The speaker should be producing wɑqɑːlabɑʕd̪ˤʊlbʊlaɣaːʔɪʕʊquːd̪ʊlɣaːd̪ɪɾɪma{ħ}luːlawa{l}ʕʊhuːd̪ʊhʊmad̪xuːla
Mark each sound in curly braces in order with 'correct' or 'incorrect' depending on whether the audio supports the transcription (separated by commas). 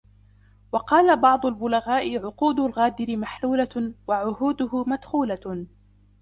correct, incorrect